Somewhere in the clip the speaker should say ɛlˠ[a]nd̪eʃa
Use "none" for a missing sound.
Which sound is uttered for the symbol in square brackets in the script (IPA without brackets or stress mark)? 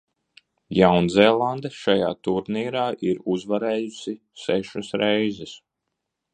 a